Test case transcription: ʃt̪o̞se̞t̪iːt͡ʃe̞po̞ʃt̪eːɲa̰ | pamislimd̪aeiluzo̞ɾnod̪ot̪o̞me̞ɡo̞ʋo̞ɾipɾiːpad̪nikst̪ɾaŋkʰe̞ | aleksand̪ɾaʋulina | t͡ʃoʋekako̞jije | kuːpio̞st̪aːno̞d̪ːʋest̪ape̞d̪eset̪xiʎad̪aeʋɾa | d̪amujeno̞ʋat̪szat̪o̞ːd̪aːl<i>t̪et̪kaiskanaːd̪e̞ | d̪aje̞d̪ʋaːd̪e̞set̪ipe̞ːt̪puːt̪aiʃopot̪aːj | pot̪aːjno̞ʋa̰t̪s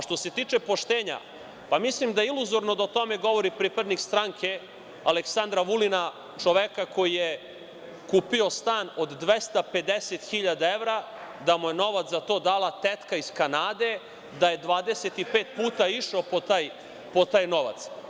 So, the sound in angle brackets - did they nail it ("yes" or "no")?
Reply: no